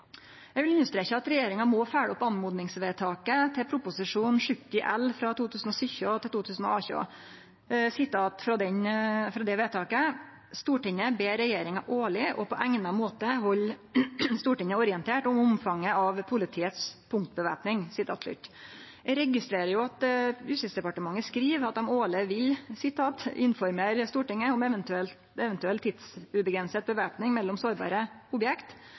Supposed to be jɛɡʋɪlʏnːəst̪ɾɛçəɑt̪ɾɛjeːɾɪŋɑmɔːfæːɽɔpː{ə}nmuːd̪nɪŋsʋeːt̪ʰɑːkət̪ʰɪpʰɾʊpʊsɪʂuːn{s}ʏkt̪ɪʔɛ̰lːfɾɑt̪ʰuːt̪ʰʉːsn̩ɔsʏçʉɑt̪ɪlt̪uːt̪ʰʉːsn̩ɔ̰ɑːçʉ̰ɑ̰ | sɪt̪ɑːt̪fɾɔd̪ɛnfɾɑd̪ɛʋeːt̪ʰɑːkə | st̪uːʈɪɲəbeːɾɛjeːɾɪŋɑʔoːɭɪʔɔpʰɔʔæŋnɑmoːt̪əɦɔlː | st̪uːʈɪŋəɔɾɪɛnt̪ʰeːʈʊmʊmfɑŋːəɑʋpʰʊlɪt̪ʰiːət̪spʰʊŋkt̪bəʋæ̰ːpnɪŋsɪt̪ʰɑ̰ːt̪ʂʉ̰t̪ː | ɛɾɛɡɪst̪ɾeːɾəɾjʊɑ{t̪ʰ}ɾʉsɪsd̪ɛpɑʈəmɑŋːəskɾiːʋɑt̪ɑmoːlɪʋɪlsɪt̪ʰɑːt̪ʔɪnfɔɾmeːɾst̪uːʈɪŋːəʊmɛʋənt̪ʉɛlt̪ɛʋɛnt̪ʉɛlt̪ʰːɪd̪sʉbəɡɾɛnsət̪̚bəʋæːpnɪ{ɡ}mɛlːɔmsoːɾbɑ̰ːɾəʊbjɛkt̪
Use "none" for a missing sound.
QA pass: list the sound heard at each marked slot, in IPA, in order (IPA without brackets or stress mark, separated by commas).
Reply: ɑ, ʂ, t̪, ŋ